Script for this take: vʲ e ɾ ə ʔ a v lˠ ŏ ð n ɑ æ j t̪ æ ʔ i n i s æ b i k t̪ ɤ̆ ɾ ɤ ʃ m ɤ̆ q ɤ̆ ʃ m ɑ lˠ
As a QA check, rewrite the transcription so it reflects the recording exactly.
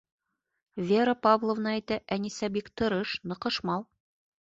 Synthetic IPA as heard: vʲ e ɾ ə p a v lˠ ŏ v n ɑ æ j t̪ æ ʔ æ n i s æ b i k t̪ ɤ̆ ɾ ɤ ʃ n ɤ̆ q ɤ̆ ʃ m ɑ lˠ